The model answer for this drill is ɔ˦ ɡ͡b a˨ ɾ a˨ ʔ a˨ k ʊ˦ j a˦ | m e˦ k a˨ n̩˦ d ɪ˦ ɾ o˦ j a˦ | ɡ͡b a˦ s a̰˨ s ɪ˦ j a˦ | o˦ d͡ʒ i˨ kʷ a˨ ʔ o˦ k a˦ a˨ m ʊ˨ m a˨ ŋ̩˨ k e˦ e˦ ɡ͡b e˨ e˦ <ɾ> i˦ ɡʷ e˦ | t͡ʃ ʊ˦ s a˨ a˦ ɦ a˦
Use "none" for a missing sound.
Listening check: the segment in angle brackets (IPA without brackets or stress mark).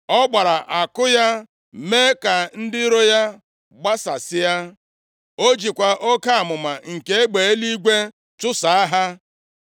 l